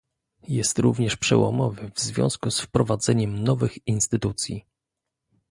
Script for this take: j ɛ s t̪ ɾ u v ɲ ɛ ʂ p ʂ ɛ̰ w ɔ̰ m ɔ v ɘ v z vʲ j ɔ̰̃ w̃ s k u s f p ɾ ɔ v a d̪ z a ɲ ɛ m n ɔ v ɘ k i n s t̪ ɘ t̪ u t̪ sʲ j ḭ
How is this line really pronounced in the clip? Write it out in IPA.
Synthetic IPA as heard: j ɛ s t̪ ɾ u v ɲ ɛ ʂ p ʂ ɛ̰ w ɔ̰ m ɔ v ɘ v z vʲ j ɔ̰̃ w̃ s k u s f p ɾ ɔ v a d̪ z ɛ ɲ ɛ m n ɔ v ɘ x i n s t̪ ɘ t̪ u t̪ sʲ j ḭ